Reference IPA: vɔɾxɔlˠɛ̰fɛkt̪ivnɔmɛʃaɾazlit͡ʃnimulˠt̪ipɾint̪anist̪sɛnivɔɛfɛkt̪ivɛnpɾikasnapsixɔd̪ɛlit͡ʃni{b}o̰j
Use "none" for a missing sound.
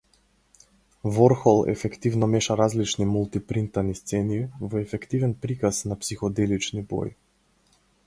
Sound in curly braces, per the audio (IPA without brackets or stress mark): b